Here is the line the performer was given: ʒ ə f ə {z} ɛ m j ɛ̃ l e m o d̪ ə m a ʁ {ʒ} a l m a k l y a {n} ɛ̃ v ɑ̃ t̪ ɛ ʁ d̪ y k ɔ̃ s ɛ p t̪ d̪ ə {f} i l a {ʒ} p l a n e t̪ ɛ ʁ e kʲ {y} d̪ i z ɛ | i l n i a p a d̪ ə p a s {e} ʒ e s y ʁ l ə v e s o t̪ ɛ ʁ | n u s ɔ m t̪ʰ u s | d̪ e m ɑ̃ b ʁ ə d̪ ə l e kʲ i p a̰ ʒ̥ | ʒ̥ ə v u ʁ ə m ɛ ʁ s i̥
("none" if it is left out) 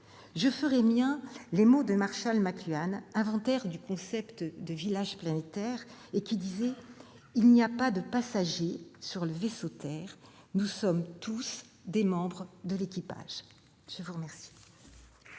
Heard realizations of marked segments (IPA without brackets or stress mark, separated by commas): ʁ, ʃ, n, v, ʒ, i, a